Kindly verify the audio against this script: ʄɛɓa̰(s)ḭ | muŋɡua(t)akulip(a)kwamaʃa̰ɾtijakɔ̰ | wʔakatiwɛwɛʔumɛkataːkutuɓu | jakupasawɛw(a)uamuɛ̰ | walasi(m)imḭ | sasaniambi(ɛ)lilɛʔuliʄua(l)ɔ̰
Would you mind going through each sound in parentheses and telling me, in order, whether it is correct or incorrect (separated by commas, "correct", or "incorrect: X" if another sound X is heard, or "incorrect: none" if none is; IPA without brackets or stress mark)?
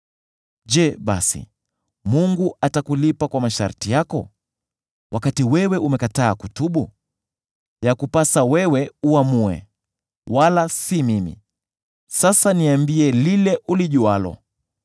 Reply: correct, correct, correct, incorrect: ɛ, correct, correct, correct